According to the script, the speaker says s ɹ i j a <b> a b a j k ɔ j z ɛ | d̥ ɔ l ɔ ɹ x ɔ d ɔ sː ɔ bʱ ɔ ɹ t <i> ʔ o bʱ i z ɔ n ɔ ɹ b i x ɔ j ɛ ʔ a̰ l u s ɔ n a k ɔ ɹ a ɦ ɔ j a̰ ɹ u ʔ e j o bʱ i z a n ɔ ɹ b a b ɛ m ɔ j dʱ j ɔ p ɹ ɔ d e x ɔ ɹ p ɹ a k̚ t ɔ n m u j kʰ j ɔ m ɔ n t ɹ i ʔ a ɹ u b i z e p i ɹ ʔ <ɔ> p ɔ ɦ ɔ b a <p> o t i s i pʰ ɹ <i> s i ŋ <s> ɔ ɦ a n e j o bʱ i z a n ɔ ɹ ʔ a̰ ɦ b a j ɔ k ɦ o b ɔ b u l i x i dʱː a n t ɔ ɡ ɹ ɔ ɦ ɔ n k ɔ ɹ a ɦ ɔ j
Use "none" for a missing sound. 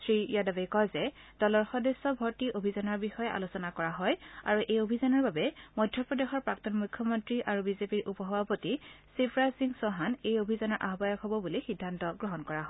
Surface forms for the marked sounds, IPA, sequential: d, i, u, p, a, s

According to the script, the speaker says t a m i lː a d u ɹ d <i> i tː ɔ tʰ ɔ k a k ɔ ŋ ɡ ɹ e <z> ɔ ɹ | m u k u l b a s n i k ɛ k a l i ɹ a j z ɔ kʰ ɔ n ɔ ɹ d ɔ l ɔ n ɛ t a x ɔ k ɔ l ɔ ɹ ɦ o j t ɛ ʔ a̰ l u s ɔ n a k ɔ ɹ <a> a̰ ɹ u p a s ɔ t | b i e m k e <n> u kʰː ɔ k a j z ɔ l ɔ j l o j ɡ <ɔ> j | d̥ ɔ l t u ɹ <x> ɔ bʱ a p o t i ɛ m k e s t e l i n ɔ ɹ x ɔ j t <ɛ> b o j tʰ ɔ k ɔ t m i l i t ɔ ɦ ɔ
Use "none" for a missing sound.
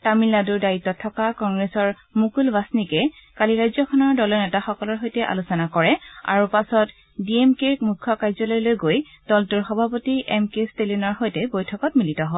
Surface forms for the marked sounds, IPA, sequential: a, s, ɛ, m, o, x, ɛ

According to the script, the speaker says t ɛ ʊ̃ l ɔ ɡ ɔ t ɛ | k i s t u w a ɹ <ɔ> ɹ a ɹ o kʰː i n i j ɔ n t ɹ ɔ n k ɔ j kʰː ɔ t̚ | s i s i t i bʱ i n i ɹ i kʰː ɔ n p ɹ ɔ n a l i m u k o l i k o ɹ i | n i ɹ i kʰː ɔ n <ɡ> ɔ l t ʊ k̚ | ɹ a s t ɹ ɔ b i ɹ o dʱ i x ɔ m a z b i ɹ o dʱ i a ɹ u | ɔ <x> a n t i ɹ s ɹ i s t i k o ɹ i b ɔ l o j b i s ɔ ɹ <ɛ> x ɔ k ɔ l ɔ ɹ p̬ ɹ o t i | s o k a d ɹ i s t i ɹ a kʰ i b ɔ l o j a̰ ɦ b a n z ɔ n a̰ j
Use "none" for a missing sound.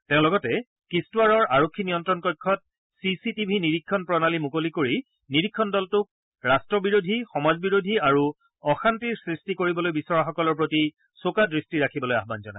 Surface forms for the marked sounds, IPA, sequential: ɔ, d, x, a

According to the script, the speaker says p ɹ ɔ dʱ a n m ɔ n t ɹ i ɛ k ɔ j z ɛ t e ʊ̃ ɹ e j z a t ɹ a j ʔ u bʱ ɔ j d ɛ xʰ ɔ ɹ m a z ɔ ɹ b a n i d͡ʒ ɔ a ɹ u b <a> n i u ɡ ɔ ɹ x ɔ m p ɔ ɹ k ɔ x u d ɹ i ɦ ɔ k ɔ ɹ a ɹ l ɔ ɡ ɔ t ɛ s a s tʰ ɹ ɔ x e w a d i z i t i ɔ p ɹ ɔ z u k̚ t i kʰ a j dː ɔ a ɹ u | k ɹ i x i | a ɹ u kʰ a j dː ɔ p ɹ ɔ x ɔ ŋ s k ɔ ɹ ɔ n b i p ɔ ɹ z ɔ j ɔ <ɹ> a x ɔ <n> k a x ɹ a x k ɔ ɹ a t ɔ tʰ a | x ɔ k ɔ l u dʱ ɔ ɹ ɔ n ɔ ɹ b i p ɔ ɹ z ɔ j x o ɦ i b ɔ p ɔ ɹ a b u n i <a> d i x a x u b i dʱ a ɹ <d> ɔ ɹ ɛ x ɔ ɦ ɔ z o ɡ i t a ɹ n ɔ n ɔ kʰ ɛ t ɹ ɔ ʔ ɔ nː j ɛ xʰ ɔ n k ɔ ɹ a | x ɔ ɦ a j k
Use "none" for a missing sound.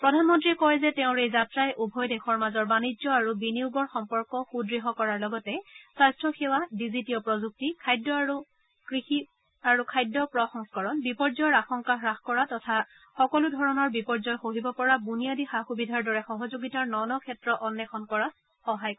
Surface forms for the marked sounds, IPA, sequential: i, ɹ, ŋ, a, d

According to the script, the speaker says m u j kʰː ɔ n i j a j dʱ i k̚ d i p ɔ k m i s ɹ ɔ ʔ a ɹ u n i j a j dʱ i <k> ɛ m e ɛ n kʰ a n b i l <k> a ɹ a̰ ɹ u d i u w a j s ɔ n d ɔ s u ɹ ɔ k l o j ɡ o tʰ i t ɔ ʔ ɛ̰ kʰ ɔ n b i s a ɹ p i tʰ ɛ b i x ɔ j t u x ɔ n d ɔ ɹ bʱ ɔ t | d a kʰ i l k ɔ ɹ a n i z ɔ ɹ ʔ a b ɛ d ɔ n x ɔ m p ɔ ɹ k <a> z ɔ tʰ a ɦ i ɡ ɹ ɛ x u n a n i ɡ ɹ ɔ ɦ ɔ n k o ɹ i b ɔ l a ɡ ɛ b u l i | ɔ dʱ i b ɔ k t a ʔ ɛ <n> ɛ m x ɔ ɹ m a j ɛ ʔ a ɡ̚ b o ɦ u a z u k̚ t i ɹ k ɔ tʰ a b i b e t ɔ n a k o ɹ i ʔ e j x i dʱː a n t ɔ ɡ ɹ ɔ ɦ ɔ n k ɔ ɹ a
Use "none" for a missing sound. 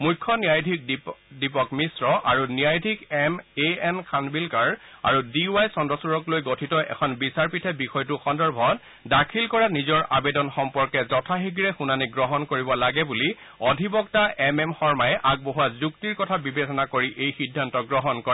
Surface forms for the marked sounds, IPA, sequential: k, k, ɛ, m

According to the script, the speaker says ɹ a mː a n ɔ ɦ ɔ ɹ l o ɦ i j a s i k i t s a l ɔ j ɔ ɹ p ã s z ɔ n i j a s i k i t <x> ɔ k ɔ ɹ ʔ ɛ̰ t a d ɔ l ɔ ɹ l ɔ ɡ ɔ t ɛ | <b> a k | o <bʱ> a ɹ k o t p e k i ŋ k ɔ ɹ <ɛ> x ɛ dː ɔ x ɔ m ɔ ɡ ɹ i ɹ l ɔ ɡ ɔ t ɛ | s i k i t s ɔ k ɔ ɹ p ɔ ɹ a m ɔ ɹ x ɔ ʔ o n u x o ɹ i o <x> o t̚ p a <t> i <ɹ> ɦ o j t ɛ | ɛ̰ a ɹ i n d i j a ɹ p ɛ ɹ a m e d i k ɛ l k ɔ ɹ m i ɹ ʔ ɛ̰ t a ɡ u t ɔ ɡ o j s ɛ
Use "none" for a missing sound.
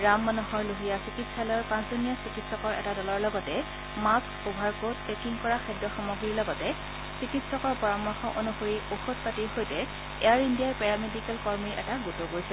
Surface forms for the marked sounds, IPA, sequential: s, m, bʱ, a, x, t, ɹ

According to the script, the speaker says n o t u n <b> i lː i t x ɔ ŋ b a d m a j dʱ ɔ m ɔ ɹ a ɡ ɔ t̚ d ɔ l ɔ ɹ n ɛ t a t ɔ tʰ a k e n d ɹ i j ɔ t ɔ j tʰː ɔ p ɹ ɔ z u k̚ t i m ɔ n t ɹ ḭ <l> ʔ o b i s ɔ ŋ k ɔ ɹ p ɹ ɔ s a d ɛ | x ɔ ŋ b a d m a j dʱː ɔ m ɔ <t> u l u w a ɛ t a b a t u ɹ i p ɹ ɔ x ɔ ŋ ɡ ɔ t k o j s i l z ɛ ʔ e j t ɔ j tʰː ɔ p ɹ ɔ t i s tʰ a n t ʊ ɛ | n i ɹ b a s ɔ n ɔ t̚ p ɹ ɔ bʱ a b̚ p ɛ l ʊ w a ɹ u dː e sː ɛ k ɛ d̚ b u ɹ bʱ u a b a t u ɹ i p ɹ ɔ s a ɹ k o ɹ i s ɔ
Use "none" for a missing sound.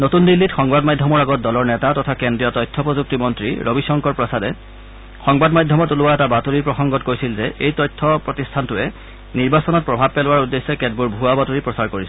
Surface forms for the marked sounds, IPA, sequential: d, ɹ, t

